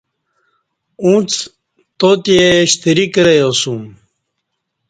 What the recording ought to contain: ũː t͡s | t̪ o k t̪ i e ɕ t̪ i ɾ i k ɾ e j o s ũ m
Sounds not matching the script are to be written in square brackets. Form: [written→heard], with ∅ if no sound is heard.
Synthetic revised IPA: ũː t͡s | t̪ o [k→∅] t̪ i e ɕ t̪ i ɾ i k ɾ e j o s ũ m